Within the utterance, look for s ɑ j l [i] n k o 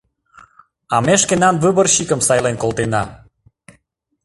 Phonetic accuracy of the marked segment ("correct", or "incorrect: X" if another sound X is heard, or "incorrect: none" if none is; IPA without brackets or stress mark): incorrect: e